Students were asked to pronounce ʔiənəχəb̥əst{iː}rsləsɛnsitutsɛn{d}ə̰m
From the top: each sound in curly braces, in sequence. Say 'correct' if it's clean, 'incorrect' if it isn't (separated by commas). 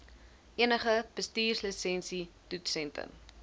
correct, incorrect